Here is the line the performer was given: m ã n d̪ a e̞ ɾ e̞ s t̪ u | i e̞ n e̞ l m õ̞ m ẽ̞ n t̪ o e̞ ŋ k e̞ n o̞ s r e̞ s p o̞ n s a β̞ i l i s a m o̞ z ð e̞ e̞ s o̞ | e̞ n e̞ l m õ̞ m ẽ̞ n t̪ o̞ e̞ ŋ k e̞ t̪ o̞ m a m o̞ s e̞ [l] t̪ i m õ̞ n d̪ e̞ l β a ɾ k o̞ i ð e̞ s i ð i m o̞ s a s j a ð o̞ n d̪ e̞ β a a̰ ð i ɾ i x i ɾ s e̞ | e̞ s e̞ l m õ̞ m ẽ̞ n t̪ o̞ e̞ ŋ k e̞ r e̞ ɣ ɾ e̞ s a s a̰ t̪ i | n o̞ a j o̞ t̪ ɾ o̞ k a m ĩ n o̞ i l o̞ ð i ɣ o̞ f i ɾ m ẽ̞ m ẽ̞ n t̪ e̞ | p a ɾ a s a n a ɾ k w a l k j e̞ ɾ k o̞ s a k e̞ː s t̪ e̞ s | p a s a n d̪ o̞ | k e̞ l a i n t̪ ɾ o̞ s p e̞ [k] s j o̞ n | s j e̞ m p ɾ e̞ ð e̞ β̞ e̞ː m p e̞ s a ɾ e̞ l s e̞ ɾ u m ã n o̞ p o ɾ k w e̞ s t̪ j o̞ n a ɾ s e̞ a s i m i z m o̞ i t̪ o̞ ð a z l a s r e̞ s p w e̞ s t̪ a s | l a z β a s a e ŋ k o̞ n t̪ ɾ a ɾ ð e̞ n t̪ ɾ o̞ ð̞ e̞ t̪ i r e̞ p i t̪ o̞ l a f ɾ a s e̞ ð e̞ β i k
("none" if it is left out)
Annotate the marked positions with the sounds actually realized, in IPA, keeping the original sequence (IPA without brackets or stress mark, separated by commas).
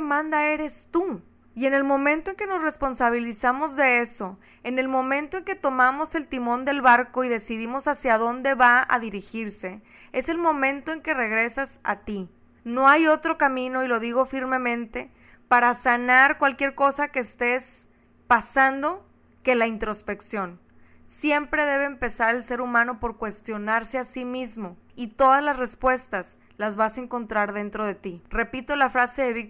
l, k